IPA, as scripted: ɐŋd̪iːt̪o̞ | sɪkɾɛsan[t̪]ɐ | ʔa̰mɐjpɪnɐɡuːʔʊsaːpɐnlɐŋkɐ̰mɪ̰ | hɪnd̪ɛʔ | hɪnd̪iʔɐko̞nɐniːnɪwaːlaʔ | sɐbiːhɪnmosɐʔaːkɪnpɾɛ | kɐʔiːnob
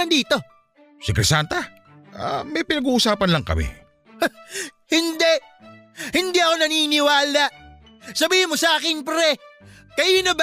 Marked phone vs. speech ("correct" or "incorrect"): correct